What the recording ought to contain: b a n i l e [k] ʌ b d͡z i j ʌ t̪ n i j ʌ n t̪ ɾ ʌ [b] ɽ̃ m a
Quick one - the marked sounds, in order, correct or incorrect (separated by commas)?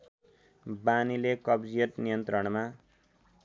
correct, incorrect